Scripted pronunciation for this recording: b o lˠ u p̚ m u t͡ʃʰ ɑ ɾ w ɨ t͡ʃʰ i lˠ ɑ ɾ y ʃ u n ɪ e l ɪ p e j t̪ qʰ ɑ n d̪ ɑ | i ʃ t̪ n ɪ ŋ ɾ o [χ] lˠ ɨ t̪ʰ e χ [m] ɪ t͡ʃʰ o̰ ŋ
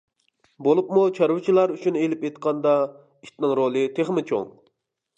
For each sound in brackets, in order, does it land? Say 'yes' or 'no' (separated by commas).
no, yes